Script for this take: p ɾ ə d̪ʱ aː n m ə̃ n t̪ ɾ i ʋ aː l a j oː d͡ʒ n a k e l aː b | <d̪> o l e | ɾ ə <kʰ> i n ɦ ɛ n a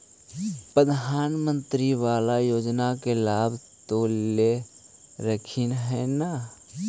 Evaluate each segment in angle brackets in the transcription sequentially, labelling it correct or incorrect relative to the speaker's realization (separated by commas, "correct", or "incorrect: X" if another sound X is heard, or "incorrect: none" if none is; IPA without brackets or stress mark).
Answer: incorrect: t̪, correct